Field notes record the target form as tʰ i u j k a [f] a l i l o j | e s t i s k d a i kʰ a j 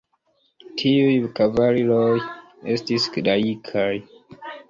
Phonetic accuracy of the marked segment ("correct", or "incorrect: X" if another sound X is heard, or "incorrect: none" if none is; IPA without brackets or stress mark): incorrect: v